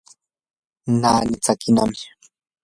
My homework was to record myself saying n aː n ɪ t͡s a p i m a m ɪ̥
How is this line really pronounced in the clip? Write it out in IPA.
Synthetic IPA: n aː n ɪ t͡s a k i n a m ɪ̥

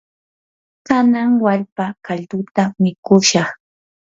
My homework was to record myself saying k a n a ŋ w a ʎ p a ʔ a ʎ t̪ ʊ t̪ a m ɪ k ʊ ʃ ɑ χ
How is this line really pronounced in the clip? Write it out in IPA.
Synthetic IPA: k a n a ŋ w a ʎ p a k a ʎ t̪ ʊ t̪ a m ɪ k ʊ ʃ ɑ χ

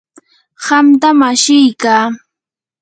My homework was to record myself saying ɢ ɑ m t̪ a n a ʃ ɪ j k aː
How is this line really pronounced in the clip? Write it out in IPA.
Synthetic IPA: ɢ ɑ m t̪ a m a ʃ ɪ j k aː

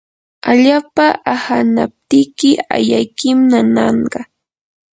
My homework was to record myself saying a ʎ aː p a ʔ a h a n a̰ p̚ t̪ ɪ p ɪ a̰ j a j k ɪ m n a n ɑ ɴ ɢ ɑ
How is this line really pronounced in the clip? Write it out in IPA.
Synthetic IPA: a ʎ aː p a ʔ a h a n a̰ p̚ t̪ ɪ k ɪ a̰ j a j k ɪ m n a n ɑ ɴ ɢ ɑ

